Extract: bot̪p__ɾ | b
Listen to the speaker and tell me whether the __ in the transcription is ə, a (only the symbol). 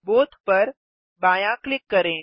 ə